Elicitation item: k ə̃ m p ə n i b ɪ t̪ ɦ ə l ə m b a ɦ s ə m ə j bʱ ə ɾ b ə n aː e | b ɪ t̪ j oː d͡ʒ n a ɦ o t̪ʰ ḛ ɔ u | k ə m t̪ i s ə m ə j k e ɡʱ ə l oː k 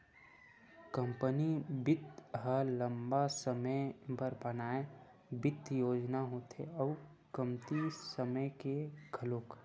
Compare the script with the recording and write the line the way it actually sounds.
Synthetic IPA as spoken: k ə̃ m p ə n i b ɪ t̪ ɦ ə l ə m b a s ə m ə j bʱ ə ɾ b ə n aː e | b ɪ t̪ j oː d͡ʒ n a ɦ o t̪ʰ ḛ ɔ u | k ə m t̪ i s ə m ə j k e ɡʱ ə l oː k